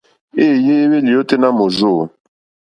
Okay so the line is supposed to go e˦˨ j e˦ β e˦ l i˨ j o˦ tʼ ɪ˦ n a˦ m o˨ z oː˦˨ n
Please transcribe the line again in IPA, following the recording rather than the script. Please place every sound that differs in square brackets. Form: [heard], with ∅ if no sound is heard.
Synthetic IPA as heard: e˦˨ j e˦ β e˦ l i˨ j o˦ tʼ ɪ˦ n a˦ m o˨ z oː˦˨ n